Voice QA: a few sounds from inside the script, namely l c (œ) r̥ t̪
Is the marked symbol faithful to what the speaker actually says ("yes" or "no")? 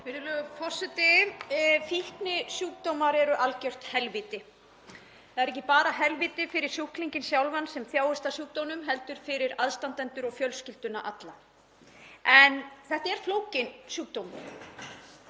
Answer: yes